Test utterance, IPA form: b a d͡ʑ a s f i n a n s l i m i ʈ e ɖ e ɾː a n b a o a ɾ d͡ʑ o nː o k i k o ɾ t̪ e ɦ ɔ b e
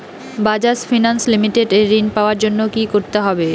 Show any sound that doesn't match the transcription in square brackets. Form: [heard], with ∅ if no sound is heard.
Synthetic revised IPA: b a d͡ʑ a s f i n a n s l i m i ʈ e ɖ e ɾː [i] n [p] a o a ɾ d͡ʑ o nː o k i k o ɾ t̪ e ɦ ɔ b e

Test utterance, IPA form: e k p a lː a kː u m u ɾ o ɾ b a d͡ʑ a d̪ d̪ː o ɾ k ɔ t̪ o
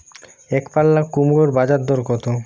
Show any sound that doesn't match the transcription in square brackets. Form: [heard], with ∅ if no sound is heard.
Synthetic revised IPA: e k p a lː a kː u m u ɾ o ɾ b a d͡ʑ a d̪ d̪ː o ɾ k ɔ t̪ o

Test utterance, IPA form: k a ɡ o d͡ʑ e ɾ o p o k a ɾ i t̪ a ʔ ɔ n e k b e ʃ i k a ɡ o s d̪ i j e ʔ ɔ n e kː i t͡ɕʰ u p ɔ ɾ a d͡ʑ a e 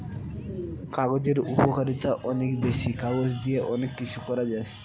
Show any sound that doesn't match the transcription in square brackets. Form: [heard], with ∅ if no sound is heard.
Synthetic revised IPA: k a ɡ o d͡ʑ e ɾ [u] p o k a ɾ i t̪ a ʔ ɔ n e k b e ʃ i k a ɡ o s d̪ i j e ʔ ɔ n e kː i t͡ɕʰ u [k] ɔ ɾ a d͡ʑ a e

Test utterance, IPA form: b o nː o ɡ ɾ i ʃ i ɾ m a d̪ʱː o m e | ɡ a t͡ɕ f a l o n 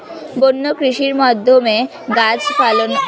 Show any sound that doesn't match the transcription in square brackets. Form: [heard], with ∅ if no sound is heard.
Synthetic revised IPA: b o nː o [k] ɾ i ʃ i ɾ m a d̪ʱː o m e | ɡ a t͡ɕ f a l o n

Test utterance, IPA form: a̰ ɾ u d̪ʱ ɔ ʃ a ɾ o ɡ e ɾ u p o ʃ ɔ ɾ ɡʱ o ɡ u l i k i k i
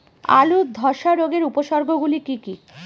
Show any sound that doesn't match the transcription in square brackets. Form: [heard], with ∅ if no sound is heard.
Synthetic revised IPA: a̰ [l] u d̪ʱ ɔ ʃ a ɾ o ɡ e ɾ u p o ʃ ɔ ɾ ɡʱ o ɡ u l i k i k i

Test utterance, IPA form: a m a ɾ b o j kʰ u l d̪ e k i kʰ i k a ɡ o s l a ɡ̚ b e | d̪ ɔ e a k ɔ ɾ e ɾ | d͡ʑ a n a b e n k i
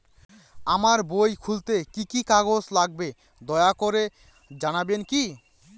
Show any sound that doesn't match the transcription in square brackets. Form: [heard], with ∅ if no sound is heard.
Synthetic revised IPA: a m a ɾ b o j kʰ u l [t̪] e k i [k] i k a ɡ o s l a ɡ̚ b e | d̪ ɔ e a k [o] ɾ e [∅] | d͡ʑ a n a b e n k i

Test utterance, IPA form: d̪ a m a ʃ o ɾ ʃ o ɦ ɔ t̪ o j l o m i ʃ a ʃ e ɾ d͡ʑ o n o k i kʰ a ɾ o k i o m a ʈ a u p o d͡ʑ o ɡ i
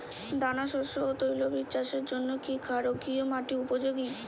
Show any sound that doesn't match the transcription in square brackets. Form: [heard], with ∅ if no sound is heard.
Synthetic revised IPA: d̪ a [n] a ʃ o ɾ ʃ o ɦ [o] t̪ o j l o [b] i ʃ a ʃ e ɾ d͡ʑ o [nː] o k i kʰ a ɾ o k i o m a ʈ [i] u p o d͡ʑ o ɡ i

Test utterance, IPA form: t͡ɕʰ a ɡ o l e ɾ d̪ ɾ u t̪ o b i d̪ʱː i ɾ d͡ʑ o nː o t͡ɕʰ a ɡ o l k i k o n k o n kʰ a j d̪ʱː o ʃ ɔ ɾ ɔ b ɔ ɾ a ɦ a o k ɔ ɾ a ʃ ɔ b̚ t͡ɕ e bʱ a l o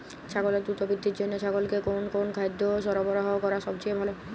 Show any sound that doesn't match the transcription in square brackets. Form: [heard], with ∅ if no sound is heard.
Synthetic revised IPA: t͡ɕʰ a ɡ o l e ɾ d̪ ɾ u t̪ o b i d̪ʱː i ɾ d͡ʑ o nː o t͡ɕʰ a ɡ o l k [e] k o n k o n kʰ a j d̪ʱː o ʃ ɔ ɾ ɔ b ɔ ɾ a ɦ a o k ɔ ɾ a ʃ ɔ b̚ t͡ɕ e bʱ a l o

